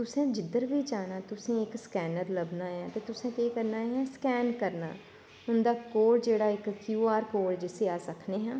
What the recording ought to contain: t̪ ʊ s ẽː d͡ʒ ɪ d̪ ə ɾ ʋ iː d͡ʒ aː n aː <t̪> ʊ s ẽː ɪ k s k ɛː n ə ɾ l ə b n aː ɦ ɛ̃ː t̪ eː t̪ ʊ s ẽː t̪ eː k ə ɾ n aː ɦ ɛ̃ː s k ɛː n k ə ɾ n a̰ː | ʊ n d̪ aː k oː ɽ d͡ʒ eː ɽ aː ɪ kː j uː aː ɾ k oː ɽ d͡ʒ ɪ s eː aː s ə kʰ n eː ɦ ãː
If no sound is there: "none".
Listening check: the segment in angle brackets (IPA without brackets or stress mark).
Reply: t̪